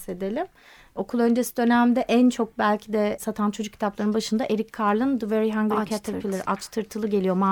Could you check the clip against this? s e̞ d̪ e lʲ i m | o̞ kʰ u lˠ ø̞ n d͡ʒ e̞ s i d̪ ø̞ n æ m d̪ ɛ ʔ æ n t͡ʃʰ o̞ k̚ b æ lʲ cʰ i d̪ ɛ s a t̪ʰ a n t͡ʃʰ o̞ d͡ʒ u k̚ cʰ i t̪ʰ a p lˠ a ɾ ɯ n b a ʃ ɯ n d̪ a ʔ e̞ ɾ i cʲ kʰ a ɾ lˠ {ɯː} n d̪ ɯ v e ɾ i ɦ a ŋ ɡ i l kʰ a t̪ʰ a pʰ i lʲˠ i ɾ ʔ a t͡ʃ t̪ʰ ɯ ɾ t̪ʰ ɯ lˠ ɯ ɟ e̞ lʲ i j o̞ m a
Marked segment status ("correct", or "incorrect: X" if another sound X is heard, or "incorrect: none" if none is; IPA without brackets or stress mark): incorrect: ɯ